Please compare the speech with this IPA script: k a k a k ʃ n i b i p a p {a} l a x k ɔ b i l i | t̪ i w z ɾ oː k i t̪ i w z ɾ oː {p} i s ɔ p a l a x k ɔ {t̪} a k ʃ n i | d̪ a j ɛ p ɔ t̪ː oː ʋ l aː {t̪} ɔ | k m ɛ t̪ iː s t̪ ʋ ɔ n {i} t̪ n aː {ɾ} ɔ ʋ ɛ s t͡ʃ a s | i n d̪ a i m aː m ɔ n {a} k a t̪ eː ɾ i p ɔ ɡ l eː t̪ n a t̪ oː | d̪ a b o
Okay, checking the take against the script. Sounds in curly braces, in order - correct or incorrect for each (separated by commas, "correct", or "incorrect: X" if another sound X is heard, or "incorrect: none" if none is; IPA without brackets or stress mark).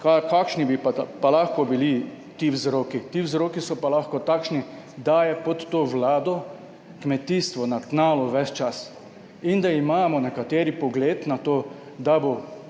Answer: correct, incorrect: k, correct, incorrect: d̪, incorrect: a, incorrect: l, incorrect: ɛ